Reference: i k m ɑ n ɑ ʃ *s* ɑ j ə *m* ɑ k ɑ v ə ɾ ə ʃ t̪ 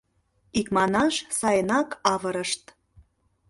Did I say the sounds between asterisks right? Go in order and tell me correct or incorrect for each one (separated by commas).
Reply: correct, incorrect